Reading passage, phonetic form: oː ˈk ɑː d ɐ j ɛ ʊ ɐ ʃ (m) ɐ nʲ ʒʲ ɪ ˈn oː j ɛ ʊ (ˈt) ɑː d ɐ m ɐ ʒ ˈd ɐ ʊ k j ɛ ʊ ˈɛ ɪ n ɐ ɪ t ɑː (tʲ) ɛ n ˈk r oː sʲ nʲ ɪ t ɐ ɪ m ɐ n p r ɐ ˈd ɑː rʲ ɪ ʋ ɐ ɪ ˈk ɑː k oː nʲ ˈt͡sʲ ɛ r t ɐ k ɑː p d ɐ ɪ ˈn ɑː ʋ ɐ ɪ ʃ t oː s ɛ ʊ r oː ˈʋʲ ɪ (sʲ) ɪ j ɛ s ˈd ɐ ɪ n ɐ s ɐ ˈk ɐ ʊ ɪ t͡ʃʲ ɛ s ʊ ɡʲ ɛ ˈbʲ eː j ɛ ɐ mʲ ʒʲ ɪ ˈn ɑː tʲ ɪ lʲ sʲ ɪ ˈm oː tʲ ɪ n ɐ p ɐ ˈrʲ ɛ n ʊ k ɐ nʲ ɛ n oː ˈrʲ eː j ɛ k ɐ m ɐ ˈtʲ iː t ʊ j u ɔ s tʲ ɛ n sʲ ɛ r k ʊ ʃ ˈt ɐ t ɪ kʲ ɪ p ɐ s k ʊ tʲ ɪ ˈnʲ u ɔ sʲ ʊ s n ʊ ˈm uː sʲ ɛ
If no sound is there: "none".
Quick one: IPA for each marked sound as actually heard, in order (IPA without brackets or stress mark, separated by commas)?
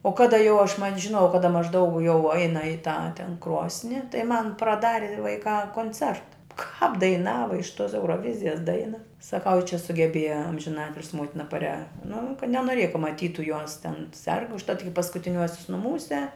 m, k, tʲ, zʲ